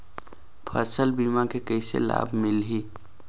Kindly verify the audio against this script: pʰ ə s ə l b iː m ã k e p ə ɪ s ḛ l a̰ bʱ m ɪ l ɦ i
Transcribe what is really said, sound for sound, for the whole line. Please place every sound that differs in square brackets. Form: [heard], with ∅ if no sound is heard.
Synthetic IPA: pʰ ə s ə l b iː m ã k e [k] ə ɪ s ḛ l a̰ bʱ m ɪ l ɦ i